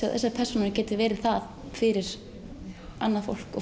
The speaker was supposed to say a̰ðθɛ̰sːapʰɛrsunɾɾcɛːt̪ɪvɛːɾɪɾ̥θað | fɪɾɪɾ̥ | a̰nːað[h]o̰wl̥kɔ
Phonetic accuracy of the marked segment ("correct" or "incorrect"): incorrect